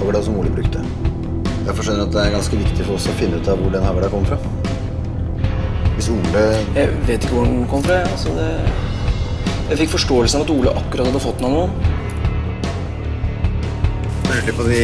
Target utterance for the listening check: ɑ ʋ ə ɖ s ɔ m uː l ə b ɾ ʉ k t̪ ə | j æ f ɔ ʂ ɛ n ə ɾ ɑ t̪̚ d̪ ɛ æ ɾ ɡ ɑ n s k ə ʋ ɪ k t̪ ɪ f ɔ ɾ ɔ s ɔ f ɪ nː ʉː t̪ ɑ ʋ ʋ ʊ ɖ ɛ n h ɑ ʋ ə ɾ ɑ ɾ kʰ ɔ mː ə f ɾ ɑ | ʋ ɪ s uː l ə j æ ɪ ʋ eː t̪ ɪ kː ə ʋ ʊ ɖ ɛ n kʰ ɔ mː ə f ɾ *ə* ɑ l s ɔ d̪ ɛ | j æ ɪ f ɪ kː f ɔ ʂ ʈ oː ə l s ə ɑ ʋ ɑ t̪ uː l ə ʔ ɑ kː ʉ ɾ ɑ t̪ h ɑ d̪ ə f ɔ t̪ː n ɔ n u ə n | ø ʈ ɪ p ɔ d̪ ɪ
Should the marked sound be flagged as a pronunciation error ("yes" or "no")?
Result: yes